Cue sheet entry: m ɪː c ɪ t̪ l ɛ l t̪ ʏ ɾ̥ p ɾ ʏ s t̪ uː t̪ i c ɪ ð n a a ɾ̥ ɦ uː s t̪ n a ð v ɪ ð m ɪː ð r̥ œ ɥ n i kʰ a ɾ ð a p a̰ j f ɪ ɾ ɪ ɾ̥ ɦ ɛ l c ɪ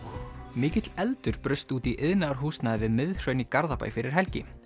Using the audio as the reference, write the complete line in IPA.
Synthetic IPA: m ɪː c ɪ t̪ l ɛ l t̪ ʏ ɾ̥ p ɾ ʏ s t̪ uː t̪ i ʔ ɪ ð n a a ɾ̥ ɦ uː s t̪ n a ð v ɪ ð m ɪ ð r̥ œ ɥ n i k a ɾ ð a p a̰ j f ɪ ɾ ɪ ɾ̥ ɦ ɛ l c ɪ